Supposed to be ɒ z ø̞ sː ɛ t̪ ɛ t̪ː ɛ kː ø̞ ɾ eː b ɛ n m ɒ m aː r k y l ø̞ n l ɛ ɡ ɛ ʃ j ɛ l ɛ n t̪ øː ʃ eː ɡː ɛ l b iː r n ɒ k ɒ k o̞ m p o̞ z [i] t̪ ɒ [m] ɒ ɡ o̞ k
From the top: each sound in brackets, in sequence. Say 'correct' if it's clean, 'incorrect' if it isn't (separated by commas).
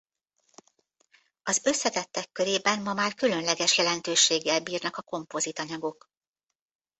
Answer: correct, incorrect